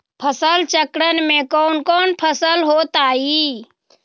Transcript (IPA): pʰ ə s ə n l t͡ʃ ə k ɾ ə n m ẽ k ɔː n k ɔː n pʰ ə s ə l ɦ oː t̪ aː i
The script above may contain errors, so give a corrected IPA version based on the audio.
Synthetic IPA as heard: pʰ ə s ə l t͡ʃ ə k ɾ ə n m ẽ k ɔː n k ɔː n pʰ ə s ə l ɦ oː t̪ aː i